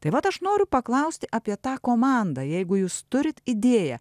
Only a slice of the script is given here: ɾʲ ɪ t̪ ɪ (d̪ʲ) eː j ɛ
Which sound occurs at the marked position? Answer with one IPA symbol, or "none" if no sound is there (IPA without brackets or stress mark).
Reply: d̪ʲ